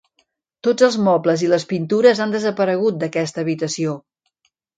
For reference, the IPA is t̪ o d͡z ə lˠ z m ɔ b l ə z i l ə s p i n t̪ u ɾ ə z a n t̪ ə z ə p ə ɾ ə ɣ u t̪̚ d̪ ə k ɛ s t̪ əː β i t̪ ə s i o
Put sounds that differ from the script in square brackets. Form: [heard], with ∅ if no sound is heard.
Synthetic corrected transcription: t̪ o d͡z ə lˠ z m ɔ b l ə z i l ə s p i n t̪ u ɾ ə z a n [d̪] ə z ə p ə ɾ ə ɣ u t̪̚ d̪ ə k ɛ s t̪ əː β i t̪ ə s i o